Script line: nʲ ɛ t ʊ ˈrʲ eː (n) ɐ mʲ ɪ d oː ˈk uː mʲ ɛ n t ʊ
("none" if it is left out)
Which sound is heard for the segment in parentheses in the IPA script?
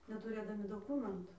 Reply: d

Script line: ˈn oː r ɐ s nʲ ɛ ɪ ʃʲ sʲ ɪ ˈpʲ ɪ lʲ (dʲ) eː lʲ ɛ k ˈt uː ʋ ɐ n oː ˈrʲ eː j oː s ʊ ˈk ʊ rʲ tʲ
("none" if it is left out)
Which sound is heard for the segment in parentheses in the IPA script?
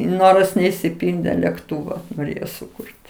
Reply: dʲ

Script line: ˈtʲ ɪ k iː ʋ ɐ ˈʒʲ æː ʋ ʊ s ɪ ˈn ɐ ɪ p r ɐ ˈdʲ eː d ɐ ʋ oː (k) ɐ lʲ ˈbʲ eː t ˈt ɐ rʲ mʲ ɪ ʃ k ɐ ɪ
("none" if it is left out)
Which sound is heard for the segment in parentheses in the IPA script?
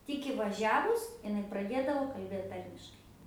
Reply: k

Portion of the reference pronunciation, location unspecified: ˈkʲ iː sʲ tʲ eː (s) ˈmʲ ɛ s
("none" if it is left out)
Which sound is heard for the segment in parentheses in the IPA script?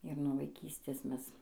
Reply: s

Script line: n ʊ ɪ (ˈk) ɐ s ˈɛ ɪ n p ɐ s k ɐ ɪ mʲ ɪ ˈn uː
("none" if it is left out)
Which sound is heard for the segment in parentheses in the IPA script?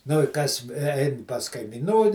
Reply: k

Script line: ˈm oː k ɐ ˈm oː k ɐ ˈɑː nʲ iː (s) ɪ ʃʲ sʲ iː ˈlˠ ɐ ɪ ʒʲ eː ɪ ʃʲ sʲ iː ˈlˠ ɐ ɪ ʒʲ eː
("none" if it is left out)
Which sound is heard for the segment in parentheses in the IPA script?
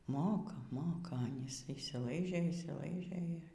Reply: s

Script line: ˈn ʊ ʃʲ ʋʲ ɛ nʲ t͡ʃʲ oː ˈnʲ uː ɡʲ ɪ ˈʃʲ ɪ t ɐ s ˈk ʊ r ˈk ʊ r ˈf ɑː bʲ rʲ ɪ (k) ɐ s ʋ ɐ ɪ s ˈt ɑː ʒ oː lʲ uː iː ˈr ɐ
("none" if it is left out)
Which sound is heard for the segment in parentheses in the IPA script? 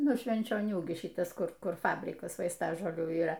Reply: k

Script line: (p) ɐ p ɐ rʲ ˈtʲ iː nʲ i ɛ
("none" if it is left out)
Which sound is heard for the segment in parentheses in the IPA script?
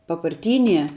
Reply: p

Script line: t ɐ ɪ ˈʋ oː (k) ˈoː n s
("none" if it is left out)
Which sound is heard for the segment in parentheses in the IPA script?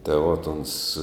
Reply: t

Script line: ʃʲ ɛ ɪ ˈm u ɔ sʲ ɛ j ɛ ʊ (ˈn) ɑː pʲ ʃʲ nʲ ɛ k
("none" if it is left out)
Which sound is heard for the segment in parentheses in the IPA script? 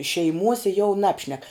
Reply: n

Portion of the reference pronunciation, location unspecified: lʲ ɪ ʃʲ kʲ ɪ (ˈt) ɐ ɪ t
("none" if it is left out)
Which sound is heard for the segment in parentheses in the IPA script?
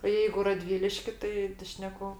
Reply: t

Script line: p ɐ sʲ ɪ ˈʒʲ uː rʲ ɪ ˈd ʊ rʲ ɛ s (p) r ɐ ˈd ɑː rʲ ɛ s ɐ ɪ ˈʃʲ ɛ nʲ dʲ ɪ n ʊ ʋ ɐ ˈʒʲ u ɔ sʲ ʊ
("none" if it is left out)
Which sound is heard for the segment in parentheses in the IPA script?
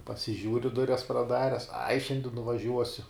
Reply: p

